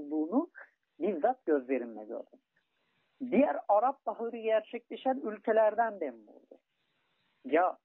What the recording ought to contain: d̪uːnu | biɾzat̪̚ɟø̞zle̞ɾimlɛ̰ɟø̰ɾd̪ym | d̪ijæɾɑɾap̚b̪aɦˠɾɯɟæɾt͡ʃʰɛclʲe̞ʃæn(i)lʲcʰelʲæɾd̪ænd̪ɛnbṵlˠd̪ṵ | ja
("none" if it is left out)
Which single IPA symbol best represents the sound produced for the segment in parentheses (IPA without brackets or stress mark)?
y